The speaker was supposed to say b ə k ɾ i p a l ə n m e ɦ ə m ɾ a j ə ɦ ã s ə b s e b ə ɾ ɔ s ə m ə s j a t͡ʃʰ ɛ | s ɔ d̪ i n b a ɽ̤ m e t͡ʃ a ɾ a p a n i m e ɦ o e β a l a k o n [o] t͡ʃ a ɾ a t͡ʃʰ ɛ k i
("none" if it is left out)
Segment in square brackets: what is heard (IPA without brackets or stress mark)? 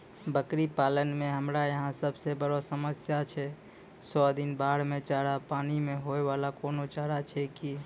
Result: o